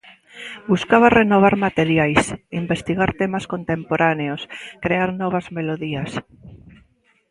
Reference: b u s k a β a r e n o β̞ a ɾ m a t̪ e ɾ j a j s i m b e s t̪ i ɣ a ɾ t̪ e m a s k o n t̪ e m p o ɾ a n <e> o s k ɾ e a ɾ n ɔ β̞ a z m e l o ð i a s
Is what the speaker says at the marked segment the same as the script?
yes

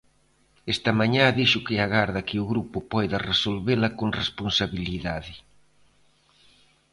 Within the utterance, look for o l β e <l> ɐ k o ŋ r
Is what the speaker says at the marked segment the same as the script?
yes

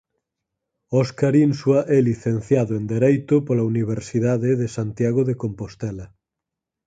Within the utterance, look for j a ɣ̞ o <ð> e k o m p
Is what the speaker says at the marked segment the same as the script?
yes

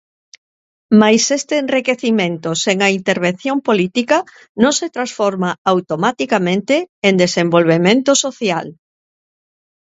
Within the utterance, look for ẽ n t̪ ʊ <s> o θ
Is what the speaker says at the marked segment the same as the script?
yes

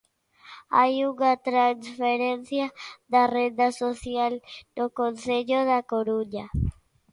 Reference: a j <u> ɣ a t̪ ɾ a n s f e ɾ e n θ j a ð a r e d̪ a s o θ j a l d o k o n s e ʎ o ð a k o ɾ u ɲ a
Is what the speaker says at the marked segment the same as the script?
yes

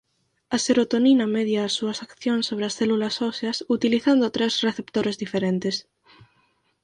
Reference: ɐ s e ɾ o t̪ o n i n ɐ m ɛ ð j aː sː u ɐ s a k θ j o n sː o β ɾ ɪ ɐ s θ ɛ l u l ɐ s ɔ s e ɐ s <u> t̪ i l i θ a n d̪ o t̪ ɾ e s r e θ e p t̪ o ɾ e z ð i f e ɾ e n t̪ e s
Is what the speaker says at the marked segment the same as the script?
yes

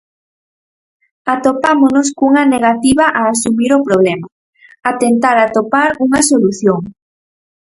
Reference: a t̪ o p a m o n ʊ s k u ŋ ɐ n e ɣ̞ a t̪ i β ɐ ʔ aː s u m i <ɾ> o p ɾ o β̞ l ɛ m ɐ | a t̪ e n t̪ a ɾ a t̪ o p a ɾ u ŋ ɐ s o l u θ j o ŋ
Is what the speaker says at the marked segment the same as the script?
yes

